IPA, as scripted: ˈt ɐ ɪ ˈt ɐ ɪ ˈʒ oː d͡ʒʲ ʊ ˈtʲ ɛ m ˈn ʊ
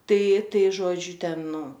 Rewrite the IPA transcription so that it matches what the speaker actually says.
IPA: ˈt ɐ ɪ ˈt ɐ ɪ ˈʒ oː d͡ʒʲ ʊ ˈtʲ ɛ n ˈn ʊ